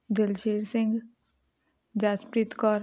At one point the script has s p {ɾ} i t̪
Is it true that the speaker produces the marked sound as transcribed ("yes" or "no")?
yes